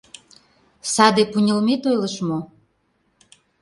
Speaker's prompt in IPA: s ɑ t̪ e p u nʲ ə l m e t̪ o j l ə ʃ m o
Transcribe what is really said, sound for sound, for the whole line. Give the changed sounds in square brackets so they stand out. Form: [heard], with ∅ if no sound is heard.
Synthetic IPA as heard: s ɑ [d̪] e p u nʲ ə l m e t̪ o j l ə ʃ m o